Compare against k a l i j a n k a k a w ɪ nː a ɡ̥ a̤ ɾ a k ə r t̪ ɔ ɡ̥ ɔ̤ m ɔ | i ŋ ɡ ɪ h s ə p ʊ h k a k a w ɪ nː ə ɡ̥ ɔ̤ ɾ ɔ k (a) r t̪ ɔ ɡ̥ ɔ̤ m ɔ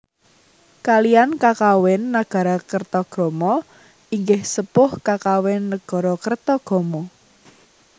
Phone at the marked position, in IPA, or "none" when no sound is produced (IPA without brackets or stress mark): ə